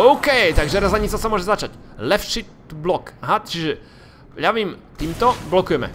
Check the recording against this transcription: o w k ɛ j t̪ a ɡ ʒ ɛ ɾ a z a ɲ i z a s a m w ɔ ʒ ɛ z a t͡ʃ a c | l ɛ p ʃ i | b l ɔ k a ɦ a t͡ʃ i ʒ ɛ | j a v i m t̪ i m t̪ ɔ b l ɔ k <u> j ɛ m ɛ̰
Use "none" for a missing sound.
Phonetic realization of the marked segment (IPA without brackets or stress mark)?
u